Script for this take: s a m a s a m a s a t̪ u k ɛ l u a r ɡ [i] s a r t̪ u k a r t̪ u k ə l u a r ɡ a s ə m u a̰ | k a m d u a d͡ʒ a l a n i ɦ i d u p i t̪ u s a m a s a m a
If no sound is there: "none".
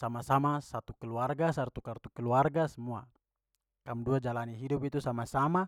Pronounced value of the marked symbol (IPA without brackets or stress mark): a